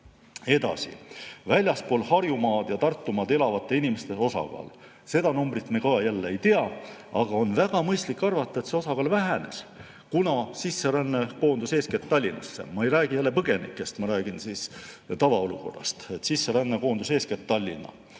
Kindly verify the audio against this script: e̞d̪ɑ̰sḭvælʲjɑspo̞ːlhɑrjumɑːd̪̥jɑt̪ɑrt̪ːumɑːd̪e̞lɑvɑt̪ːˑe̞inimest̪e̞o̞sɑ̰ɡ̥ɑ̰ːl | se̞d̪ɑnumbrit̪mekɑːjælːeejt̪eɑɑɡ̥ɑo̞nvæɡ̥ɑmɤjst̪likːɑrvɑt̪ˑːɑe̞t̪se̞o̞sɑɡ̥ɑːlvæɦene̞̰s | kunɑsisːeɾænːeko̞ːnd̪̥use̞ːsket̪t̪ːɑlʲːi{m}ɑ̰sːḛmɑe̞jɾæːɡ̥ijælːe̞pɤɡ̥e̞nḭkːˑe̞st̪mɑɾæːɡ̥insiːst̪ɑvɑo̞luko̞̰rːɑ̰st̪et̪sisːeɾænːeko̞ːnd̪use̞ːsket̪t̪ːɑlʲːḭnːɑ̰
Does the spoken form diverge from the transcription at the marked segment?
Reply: yes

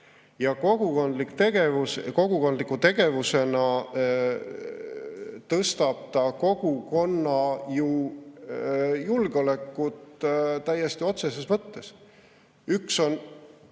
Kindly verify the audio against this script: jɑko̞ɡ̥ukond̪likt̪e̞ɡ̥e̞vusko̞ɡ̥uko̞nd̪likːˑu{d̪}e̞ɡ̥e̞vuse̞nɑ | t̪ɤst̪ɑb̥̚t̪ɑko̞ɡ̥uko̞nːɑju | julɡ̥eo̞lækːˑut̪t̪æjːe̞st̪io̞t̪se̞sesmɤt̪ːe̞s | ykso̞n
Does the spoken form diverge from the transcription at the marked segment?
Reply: yes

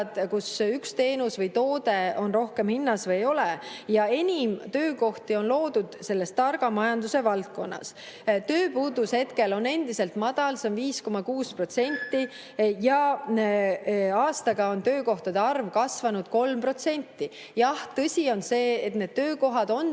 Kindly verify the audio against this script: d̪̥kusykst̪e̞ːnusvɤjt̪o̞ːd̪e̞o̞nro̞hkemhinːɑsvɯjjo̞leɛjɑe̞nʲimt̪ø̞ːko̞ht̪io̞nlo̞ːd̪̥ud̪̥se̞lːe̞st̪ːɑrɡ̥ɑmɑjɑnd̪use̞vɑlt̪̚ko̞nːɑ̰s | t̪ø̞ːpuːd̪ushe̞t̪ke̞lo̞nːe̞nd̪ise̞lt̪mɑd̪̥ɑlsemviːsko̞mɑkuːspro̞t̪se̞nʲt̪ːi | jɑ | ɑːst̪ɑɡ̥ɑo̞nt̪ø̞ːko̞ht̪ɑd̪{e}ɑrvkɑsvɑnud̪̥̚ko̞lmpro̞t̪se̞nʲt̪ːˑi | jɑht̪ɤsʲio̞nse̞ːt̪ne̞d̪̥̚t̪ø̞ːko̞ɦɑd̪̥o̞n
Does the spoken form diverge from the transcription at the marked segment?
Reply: no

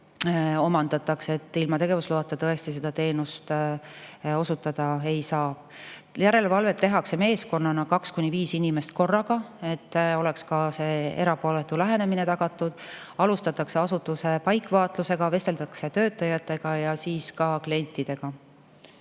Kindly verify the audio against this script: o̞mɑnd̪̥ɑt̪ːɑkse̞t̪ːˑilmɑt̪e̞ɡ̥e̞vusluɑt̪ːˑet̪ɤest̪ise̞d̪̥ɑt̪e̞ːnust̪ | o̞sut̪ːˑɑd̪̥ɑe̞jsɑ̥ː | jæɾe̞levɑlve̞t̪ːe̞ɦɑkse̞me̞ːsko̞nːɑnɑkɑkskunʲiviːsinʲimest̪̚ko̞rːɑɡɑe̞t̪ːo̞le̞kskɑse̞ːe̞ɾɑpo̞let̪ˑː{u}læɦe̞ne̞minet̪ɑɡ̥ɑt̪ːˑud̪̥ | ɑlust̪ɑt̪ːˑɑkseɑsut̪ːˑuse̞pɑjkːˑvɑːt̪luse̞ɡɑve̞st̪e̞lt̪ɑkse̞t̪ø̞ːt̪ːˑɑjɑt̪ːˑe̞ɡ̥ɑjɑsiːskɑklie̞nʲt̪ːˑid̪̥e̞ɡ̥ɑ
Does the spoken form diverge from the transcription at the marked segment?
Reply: no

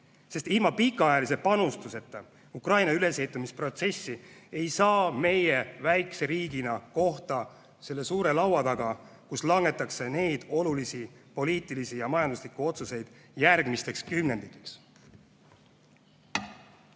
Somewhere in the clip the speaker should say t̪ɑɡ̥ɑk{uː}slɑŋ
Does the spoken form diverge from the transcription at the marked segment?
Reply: yes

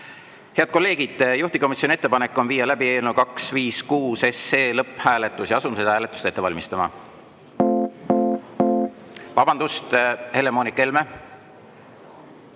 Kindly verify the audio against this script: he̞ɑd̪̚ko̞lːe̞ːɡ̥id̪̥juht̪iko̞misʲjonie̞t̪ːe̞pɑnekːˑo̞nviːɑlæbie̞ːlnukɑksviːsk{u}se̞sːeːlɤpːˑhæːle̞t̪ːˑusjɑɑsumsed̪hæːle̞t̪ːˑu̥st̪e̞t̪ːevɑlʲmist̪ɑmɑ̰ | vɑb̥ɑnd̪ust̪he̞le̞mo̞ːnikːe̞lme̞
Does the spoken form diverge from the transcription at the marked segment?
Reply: yes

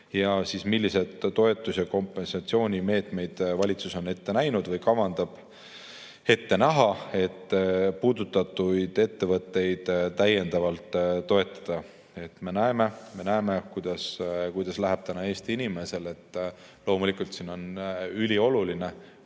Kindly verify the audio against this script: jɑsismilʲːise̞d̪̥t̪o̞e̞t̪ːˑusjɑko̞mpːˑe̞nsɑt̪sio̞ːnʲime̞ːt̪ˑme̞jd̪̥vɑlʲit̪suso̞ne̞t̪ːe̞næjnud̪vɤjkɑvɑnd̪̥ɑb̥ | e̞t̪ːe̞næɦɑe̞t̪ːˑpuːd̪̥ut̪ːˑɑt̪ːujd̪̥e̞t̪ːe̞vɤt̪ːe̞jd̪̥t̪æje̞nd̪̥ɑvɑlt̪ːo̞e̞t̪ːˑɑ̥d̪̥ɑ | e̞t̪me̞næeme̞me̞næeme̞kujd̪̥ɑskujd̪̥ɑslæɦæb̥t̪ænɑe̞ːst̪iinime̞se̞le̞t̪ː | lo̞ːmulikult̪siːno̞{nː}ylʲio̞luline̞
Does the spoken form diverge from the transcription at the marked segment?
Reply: yes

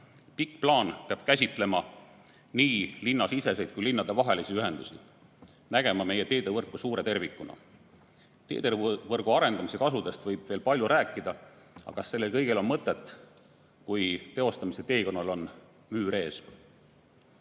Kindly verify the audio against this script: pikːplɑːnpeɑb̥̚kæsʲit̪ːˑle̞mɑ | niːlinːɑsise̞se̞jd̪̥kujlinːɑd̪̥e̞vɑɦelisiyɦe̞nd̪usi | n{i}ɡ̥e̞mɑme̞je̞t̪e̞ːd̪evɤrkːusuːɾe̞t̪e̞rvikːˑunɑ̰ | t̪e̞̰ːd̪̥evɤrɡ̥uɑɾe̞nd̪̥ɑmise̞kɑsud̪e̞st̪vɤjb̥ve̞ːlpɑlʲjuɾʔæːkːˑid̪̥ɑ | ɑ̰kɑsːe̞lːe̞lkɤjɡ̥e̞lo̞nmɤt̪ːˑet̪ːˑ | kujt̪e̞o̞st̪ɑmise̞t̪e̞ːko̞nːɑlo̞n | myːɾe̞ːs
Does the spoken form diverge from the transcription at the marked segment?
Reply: yes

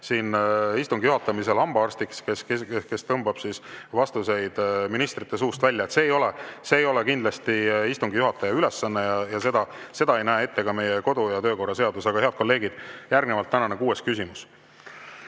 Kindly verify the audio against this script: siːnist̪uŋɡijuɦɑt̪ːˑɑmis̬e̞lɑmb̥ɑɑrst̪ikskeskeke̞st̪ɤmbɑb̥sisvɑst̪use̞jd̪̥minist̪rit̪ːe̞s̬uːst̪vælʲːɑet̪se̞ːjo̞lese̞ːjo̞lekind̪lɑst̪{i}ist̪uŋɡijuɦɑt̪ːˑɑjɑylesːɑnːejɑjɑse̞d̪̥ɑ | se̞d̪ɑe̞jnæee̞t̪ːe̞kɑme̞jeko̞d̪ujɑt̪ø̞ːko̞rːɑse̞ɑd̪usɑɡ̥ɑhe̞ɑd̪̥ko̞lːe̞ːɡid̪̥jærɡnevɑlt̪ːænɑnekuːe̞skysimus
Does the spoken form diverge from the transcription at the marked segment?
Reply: no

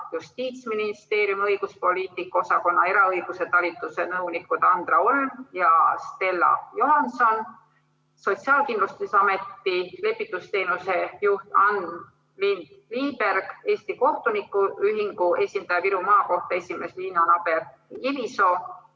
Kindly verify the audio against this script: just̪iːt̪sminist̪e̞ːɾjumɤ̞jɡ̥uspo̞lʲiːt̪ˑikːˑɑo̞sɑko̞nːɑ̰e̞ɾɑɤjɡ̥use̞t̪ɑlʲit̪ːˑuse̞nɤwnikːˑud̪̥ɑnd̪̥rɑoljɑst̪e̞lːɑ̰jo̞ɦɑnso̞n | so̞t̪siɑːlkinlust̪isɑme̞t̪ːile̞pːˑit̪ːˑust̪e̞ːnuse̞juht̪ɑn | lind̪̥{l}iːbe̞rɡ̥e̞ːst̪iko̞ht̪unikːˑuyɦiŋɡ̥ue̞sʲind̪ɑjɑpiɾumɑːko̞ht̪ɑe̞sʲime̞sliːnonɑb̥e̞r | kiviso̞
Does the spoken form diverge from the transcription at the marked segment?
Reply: no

